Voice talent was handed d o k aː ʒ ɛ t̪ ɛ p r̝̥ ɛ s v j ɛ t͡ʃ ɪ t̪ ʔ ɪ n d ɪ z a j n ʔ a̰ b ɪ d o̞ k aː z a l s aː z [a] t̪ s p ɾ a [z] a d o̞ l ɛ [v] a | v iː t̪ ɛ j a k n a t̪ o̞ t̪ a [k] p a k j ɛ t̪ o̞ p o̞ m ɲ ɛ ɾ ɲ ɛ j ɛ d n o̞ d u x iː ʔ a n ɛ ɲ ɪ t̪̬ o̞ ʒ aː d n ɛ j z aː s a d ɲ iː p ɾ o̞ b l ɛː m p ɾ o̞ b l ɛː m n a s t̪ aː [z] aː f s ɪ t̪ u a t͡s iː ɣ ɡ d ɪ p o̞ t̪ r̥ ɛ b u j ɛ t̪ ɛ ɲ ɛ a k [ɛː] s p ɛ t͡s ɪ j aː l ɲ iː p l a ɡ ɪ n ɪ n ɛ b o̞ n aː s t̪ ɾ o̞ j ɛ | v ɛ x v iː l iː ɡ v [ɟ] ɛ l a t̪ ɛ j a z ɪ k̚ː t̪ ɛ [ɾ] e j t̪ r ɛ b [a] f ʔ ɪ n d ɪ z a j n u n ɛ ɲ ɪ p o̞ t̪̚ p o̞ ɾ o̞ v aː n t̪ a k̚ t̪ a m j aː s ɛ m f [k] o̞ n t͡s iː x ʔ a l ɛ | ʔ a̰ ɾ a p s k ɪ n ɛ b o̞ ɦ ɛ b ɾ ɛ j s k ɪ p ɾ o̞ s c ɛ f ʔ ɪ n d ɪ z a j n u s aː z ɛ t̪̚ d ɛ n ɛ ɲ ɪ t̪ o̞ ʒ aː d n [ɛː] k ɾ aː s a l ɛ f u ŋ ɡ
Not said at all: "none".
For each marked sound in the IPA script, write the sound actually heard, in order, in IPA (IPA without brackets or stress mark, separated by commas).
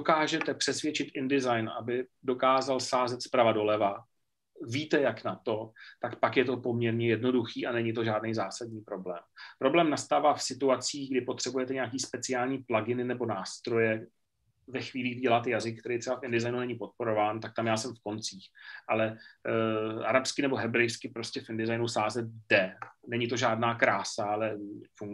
ɛ, v, v, k, v, iː, ɟ, ɾ, a, k, aː